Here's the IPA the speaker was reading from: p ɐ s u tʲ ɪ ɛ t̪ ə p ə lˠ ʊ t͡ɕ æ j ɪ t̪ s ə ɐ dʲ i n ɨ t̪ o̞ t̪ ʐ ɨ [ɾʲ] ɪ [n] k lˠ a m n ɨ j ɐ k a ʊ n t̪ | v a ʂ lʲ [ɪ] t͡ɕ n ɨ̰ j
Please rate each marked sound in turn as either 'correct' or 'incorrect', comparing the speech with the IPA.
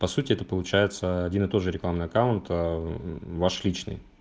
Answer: correct, incorrect, incorrect

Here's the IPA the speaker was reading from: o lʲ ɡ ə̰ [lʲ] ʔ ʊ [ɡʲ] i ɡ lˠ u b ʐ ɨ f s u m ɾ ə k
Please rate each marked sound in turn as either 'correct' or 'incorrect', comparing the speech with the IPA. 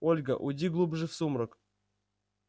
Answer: incorrect, incorrect

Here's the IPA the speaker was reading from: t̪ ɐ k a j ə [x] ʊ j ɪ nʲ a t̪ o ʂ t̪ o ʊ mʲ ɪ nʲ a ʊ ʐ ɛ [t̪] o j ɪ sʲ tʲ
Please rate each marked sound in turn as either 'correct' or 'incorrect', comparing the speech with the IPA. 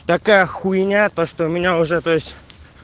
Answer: correct, correct

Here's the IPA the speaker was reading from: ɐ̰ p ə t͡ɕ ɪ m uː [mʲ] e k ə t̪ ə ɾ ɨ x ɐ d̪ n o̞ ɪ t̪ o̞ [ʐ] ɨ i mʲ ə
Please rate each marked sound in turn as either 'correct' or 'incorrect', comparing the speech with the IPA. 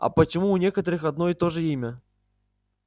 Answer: incorrect, correct

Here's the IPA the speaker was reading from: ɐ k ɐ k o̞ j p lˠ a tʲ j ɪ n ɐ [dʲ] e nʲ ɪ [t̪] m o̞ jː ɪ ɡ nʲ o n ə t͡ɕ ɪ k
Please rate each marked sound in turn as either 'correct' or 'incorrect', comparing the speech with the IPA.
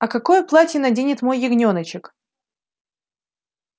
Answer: correct, correct

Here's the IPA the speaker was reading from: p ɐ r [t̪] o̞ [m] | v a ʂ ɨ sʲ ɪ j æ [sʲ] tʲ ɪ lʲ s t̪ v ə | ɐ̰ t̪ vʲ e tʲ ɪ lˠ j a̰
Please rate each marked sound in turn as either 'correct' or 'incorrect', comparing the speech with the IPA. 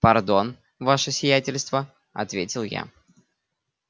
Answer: incorrect, incorrect, incorrect

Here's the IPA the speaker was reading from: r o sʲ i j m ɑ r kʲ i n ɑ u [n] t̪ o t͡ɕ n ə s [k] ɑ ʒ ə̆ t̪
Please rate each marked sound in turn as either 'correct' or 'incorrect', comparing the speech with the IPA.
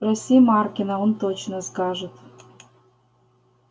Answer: correct, correct

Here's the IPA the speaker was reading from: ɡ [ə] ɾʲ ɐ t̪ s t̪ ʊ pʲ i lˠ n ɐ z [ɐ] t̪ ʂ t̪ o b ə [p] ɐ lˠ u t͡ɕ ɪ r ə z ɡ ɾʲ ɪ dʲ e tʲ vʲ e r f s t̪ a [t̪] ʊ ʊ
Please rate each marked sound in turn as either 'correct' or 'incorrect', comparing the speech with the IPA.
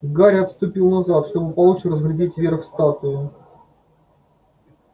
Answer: incorrect, incorrect, correct, correct

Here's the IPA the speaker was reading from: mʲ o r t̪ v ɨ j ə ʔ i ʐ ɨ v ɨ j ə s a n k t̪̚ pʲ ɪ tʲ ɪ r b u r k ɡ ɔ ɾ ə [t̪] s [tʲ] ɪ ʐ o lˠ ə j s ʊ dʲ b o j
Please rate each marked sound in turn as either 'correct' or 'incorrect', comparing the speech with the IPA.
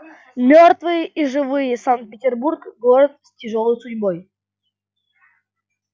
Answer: correct, correct

